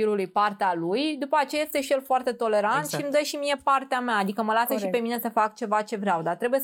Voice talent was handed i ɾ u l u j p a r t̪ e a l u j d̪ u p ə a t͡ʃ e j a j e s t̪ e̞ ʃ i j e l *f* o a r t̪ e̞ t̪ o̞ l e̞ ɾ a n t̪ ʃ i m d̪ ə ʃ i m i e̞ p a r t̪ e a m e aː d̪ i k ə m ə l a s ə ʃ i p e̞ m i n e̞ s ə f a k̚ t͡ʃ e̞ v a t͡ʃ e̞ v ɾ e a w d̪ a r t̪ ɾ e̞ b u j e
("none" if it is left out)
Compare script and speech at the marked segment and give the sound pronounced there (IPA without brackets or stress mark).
f